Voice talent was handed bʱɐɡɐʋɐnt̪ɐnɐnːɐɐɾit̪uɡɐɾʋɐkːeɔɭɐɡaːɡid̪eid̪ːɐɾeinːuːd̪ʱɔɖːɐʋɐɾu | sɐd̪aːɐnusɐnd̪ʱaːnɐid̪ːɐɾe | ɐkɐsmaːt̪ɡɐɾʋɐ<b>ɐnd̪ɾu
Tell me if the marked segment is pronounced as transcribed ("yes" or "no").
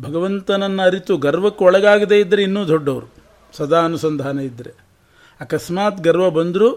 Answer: yes